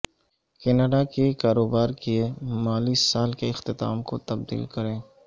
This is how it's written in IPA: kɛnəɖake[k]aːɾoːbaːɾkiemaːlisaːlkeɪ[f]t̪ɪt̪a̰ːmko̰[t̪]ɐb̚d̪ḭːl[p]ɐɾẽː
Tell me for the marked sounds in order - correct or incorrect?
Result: correct, incorrect, correct, incorrect

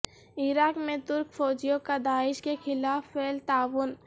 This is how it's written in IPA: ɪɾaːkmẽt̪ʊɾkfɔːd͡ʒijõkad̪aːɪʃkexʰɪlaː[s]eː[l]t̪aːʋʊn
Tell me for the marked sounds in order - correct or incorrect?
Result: incorrect, correct

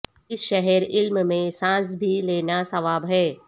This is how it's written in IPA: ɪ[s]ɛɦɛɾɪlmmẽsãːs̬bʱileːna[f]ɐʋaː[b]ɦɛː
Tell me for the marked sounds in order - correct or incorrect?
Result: incorrect, incorrect, correct

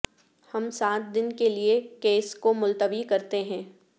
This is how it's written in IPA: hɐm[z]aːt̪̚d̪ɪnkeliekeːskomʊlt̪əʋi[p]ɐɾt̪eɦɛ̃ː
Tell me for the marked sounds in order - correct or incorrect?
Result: incorrect, incorrect

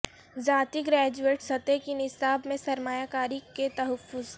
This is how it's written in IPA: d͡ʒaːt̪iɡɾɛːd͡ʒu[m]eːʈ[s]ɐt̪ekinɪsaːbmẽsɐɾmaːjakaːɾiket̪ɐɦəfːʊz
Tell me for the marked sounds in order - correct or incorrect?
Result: incorrect, correct

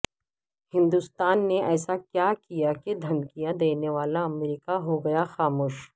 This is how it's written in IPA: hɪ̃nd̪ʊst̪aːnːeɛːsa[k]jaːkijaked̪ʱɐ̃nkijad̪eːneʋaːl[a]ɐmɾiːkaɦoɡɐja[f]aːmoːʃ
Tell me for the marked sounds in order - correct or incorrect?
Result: correct, correct, incorrect

